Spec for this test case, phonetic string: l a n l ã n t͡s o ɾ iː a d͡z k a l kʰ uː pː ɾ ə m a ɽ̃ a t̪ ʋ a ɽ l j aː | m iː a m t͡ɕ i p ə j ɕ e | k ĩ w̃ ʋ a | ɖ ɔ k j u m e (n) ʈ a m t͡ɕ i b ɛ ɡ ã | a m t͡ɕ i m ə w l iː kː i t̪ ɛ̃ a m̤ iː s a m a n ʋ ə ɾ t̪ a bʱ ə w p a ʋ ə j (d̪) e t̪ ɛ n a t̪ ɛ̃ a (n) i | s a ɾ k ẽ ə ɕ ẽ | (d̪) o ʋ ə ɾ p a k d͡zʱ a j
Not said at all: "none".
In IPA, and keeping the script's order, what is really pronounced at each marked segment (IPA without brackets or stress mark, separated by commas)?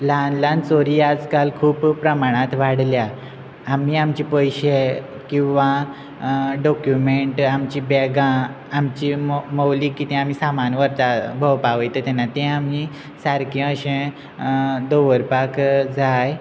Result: ɳ, t̪, m, d̪